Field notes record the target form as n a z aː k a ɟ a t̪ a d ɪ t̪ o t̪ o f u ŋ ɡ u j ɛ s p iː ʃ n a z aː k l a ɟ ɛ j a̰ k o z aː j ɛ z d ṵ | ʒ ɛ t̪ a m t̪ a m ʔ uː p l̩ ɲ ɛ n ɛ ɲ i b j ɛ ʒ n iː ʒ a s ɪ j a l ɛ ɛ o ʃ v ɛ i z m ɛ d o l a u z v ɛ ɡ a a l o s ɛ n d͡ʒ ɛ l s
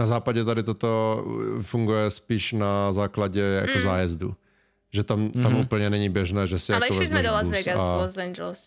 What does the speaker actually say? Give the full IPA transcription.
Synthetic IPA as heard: n a z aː p a ɟ ɛ t̪ a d ɪ t̪ o t̪ o f u ŋ ɡ u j ɛ s p iː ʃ n a z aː k l a ɟ ɛ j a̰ k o z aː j ɛ z d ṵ | ʒ ɛ t̪ a m t̪ a m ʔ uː p l̩ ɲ ɛ n ɛ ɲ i b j ɛ ʒ n ɛː ʒ ɛ s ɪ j a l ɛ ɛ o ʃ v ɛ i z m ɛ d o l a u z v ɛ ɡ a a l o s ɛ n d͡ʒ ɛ l s